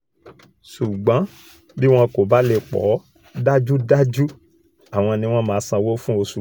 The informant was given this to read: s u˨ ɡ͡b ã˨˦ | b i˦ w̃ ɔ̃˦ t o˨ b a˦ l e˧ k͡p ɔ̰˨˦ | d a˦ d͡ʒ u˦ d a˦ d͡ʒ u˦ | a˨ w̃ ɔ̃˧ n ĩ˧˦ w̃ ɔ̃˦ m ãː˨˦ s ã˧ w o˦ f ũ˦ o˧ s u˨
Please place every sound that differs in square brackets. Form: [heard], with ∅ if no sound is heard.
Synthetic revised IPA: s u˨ ɡ͡b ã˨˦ | b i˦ w̃ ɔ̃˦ [k] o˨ b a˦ l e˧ k͡p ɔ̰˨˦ | d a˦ d͡ʒ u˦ d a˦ d͡ʒ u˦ | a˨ w̃ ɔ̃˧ n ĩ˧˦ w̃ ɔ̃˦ m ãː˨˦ s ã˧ w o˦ f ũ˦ o˧ s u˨

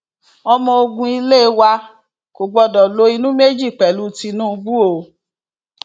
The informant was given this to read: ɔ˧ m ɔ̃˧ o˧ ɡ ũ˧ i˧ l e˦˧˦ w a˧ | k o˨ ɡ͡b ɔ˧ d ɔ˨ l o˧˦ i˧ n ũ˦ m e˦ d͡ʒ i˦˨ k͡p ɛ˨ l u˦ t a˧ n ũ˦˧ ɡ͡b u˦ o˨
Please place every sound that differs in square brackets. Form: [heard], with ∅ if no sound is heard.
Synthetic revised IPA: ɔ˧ m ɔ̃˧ o˧ ɡ ũ˧ i˧ l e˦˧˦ w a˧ | k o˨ ɡ͡b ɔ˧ d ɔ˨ l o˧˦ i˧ n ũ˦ m e˦ d͡ʒ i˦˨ k͡p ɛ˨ l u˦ t [i˧] n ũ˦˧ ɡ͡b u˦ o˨

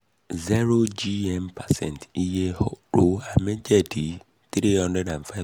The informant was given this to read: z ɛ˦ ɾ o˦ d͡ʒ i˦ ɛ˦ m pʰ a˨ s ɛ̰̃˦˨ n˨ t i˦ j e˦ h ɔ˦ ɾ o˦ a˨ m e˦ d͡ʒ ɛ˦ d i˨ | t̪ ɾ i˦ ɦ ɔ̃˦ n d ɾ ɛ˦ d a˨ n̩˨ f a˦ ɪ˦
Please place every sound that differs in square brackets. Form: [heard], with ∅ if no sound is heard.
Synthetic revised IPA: z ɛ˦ ɾ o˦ d͡ʒ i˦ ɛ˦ m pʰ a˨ s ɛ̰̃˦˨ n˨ t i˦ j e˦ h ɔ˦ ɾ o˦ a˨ m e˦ d͡ʒ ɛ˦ d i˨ | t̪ ɾ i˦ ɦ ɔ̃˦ n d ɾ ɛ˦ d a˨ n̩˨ f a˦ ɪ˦

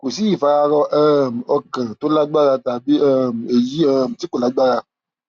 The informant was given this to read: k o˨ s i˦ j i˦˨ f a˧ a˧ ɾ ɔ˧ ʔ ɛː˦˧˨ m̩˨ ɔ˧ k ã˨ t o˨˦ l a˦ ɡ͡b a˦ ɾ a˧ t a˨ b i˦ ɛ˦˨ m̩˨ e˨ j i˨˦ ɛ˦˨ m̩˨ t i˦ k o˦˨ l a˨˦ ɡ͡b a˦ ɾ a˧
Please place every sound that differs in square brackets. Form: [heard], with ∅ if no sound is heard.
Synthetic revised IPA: k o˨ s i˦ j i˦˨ f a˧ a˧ ɾ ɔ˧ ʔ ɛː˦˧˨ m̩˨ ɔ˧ k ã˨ t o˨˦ l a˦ ɡ͡b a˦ ɾ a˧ t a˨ b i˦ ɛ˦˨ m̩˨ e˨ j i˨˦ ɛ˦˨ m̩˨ t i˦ k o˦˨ l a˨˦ ɡ͡b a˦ ɾ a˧

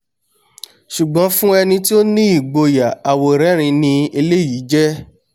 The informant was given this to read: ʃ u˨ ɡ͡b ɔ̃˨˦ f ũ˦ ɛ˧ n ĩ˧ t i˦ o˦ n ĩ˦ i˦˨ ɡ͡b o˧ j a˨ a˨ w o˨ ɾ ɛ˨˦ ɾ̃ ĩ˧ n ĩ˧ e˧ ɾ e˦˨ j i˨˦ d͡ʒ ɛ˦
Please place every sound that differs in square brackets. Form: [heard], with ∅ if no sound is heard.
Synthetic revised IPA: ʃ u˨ ɡ͡b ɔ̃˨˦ f ũ˦ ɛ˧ n ĩ˧ t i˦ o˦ n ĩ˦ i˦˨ ɡ͡b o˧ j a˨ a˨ w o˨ ɾ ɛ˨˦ ɾ̃ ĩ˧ n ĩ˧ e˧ [l] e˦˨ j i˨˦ d͡ʒ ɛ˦

